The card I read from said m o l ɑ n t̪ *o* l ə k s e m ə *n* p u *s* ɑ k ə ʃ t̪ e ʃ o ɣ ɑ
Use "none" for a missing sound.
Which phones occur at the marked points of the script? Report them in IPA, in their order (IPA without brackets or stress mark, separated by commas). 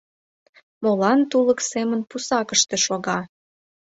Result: u, n, s